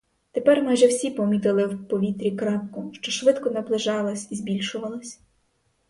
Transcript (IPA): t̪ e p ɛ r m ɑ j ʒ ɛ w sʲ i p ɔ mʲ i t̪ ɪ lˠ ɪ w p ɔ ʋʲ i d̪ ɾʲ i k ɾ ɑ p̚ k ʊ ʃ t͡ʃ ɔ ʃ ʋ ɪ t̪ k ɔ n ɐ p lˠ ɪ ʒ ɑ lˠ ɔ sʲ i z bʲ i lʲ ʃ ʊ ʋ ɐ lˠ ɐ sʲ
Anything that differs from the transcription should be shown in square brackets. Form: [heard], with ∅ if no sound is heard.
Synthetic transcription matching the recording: t̪ e p ɛ r m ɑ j ʒ ɛ w sʲ i p ɔ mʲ i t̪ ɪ lˠ ɪ w p ɔ ʋʲ i [t̪] ɾʲ i k ɾ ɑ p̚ k ʊ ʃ t͡ʃ ɔ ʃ ʋ ɪ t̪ k ɔ n ɐ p lˠ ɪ ʒ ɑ lˠ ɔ sʲ i z bʲ i lʲ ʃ ʊ ʋ ɐ lˠ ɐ sʲ